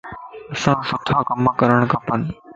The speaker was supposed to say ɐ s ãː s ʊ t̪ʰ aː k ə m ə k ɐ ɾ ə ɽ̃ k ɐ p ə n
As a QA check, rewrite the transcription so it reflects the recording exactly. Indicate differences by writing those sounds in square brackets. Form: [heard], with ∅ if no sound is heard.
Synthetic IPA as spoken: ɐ s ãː s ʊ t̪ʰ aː k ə m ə k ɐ ɾ ə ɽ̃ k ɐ p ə n